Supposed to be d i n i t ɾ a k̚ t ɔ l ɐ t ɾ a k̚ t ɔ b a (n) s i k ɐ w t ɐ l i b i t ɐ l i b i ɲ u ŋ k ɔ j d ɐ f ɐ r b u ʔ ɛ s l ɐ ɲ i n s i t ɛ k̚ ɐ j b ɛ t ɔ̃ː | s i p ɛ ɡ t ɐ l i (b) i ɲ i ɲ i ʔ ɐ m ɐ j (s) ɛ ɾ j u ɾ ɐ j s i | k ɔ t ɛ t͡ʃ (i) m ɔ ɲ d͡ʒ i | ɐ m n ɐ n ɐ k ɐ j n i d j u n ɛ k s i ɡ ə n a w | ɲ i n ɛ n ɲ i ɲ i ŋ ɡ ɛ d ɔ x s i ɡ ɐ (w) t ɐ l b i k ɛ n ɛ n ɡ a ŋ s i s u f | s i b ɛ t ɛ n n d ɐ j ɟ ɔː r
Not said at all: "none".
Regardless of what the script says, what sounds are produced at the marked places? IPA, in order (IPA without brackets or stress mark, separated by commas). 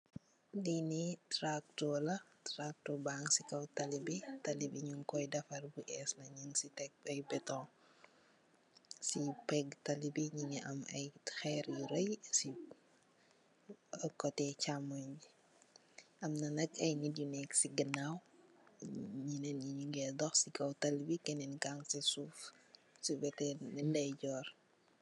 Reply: ŋ, b, x, a, w